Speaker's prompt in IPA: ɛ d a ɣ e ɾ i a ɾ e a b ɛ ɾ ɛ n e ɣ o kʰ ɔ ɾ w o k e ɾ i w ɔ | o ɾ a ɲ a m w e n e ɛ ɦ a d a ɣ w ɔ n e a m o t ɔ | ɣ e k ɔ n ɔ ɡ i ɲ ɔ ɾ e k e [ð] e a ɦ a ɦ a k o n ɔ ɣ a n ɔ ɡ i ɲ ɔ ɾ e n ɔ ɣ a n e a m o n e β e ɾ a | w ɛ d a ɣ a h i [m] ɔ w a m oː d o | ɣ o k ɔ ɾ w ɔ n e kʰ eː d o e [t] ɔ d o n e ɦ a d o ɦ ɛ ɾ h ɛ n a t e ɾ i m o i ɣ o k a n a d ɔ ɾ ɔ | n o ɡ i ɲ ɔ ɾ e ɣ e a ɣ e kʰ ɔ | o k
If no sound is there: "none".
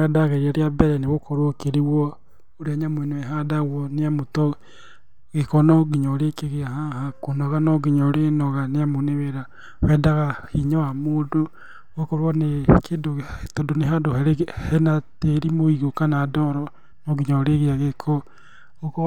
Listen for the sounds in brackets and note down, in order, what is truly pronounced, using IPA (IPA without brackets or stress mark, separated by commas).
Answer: ɣ, ɲ, t